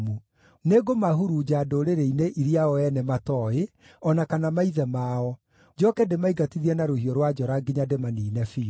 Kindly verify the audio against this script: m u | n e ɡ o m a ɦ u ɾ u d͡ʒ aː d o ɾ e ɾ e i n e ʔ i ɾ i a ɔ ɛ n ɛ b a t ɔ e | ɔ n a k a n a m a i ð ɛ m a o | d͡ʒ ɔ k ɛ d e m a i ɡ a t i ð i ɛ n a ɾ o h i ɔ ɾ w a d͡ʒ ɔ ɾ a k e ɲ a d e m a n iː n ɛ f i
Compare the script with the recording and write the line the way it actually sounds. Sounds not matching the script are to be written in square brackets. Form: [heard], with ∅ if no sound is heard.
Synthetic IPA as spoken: m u | n e ɡ o m a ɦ u ɾ u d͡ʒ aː d o ɾ e ɾ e i n e ʔ i ɾ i a ɔ ɛ n ɛ [m] a t ɔ e | ɔ n a k a n a m a i ð ɛ m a [ɔ] | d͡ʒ ɔ k ɛ d e m a i ɡ a t i ð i ɛ n a ɾ o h i ɔ ɾ w a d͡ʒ ɔ ɾ a [ɡ] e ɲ a d e m a n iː n ɛ f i